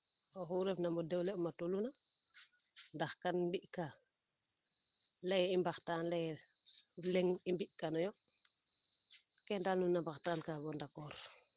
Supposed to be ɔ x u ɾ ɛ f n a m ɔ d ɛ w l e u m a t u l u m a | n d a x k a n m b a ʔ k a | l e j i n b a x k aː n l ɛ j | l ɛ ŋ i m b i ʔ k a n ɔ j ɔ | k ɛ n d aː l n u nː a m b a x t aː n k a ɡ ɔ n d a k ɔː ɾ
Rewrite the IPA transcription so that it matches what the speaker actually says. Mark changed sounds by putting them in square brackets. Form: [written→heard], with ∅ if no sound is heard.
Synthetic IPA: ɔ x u ɾ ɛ f n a m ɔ d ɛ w l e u m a t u l u [m→n] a | n d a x k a n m b [a→i] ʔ k a | l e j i [n→m] b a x [k→t] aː n l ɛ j | l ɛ ŋ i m b i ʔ k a n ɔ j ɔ | k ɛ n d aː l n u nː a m b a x t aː n k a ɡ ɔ n d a k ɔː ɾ